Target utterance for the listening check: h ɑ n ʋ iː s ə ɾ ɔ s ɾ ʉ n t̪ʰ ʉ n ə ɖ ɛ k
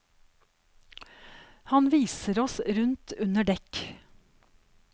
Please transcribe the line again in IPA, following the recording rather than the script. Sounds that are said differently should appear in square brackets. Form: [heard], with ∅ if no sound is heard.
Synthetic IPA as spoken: h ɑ n ʋ iː s ə ɾ ɔ s ɾ ʉ n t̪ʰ ʉ n ə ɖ ɛ k